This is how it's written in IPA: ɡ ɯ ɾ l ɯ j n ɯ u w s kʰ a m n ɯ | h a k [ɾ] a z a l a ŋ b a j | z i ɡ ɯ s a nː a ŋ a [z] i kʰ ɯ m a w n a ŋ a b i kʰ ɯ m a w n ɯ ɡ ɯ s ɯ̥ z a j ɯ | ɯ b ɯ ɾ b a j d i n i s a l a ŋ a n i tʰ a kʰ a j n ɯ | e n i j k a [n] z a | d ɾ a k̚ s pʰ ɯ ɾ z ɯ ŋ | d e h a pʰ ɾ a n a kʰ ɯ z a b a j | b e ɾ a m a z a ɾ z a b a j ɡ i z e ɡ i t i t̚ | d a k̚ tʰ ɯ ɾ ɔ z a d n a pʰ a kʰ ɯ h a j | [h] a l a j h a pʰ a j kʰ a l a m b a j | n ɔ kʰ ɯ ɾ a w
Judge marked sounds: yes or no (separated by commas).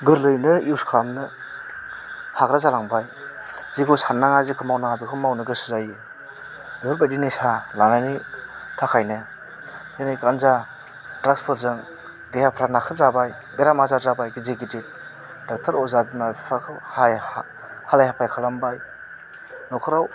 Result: yes, yes, yes, yes